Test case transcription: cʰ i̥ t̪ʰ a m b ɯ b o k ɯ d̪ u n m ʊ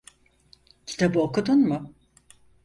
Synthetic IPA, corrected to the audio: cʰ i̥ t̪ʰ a b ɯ o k u d̪ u n m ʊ